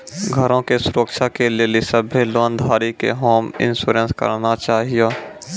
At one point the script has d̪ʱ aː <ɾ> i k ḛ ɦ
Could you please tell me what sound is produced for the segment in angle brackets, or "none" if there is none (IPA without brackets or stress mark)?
ɾ